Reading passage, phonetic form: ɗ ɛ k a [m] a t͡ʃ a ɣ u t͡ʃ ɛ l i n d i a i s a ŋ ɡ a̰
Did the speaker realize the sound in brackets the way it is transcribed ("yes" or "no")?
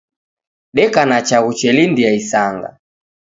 no